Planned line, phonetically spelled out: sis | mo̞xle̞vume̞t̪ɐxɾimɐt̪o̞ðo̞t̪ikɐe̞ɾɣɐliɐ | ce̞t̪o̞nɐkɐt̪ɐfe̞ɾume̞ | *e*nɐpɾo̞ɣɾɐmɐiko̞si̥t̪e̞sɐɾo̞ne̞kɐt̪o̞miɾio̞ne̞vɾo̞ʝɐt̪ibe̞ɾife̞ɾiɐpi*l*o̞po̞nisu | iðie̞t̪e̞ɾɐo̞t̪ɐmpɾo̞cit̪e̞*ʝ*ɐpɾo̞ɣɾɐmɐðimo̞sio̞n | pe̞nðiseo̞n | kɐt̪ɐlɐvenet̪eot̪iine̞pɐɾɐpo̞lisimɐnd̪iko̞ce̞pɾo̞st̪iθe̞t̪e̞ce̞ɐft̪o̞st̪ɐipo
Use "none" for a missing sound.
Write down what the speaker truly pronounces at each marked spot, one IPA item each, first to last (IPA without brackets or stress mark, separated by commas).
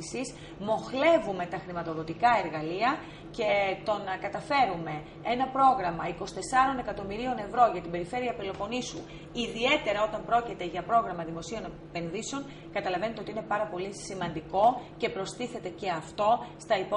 e, l, ʝ